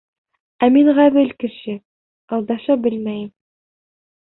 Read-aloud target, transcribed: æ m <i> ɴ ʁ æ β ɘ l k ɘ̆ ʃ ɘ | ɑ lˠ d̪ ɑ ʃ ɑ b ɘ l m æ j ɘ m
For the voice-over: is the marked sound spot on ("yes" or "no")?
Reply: yes